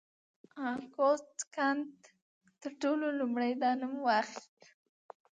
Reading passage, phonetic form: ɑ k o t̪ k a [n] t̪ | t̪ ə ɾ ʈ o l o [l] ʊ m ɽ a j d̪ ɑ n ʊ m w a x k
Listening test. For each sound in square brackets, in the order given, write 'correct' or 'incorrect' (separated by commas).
correct, correct